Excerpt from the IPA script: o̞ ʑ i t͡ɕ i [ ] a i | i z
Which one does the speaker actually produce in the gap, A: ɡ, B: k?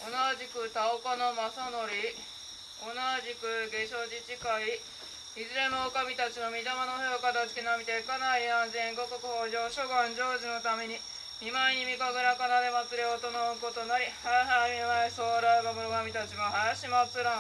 B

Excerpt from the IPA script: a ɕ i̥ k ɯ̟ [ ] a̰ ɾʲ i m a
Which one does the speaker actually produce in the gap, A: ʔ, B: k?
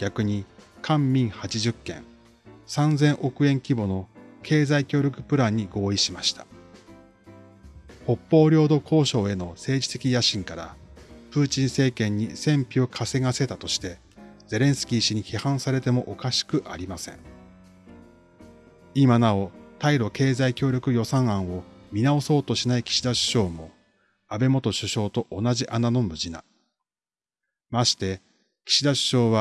A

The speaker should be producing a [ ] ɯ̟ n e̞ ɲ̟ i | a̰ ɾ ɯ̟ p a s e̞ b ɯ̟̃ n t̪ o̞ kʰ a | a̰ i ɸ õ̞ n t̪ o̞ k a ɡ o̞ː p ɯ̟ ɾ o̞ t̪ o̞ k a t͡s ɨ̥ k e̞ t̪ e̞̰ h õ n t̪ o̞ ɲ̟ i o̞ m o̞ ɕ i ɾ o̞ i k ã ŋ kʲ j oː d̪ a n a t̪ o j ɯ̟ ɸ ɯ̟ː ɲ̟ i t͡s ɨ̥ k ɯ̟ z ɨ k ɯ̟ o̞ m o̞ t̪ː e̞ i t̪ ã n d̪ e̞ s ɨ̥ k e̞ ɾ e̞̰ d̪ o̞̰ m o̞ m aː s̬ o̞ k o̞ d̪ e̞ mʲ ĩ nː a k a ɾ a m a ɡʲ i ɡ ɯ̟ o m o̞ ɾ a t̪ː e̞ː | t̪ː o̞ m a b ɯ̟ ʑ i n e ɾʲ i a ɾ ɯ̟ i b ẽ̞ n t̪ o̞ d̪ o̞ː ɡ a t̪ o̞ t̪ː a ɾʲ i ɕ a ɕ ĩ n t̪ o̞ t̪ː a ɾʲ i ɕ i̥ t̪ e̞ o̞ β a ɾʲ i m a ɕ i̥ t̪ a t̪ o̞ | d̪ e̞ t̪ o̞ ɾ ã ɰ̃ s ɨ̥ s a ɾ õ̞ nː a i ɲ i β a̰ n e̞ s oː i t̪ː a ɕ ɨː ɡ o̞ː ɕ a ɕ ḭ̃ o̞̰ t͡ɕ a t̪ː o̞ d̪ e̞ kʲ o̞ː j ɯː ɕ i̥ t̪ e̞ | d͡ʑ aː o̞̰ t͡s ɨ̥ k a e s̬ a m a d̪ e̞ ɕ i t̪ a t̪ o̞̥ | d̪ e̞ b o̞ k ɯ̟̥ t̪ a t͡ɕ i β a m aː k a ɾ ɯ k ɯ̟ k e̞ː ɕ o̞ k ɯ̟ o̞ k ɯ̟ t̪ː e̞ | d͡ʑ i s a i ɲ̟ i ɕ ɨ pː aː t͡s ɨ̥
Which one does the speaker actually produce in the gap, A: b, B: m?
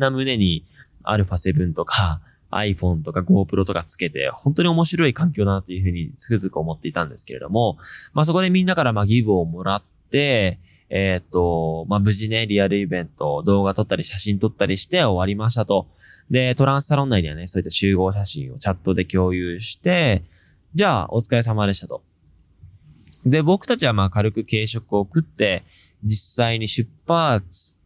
B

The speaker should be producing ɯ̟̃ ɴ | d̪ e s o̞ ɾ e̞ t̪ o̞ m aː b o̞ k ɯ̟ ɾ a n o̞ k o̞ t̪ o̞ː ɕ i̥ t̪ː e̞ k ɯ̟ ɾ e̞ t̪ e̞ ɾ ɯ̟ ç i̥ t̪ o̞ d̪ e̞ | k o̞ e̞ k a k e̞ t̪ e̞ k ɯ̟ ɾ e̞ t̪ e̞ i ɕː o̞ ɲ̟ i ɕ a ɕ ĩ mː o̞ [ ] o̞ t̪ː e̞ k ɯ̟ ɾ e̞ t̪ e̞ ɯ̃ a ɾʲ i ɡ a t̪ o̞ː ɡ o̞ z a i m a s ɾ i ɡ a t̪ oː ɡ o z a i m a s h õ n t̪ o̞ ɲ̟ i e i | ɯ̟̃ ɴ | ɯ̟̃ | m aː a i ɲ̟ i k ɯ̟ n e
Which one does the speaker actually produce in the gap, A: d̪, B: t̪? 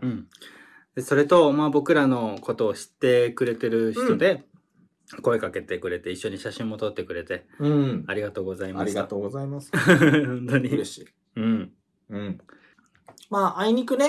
B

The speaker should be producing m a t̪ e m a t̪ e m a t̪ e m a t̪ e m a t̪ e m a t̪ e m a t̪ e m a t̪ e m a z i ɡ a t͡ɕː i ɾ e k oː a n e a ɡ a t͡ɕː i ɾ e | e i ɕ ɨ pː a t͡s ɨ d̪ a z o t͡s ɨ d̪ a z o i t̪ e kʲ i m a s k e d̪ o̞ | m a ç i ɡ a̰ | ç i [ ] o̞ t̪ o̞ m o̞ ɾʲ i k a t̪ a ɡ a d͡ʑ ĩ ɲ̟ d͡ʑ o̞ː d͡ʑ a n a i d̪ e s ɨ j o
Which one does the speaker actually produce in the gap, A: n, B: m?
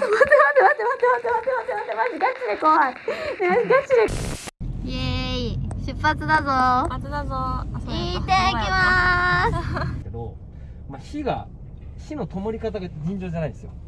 A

